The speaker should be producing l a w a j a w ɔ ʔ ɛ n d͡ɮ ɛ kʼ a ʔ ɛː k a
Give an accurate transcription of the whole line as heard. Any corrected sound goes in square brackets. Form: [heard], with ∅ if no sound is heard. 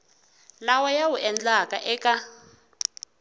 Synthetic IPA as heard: l a w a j a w [u] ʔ ɛ n d͡ɮ [a] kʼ a ʔ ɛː k a